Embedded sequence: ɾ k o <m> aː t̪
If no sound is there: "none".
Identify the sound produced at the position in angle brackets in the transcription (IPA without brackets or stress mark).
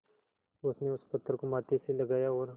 m